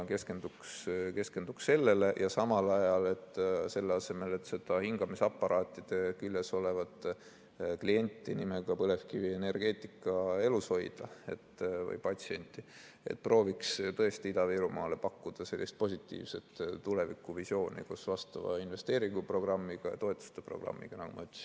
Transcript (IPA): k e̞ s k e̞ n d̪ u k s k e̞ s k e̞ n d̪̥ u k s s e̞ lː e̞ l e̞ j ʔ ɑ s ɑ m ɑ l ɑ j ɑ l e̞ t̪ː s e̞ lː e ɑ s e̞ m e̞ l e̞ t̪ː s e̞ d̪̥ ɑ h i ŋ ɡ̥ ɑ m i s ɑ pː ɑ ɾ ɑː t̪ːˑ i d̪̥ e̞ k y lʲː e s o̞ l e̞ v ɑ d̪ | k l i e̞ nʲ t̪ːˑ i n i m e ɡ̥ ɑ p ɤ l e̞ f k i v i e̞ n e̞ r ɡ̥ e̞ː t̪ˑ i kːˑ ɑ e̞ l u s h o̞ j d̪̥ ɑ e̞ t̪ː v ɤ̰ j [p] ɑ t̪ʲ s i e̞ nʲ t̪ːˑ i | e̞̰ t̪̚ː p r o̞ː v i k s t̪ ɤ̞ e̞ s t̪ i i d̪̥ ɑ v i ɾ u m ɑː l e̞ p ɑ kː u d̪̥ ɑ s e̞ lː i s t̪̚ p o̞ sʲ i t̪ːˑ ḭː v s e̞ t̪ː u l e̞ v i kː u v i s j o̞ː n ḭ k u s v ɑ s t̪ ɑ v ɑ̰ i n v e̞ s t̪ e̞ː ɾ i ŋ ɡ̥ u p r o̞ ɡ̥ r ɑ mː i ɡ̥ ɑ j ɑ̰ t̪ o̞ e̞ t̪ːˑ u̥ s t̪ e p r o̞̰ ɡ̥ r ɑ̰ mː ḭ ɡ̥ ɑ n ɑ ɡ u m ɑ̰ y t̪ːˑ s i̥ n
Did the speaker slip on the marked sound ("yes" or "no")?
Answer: no